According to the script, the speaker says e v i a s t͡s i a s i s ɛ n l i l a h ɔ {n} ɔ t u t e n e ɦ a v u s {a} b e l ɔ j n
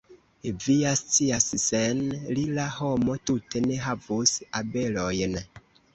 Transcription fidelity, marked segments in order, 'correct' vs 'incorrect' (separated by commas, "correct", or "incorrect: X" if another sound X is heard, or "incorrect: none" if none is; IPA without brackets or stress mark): incorrect: m, correct